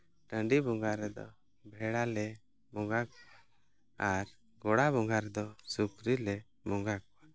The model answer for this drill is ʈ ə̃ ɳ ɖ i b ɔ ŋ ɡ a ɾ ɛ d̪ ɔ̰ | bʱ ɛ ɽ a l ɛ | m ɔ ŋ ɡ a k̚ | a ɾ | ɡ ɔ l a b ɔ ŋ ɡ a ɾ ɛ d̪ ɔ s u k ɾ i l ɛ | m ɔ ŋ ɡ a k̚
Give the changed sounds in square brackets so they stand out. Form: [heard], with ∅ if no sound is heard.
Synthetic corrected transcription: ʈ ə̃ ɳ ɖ i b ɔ ŋ ɡ a ɾ ɛ d̪ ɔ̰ | bʱ ɛ ɽ a l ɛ | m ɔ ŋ ɡ a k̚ | a ɾ | ɡ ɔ [ɽ] a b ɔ ŋ ɡ a ɾ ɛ d̪ ɔ s u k ɾ i l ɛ | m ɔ ŋ ɡ a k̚